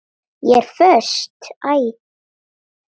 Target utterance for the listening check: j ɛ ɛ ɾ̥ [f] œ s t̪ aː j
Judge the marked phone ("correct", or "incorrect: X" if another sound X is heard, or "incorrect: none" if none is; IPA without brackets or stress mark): correct